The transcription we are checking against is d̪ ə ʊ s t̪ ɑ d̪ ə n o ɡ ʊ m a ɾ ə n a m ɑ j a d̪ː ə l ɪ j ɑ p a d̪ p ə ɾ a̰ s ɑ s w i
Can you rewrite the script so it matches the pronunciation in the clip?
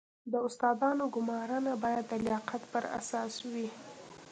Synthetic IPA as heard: d̪ ə ʊ s t̪ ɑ d̪ ɑ n o ɡ ʊ m ɑ ɾ ə n a b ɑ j a d̪ː ə l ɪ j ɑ q a t̪ p ə ɾ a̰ s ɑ s w i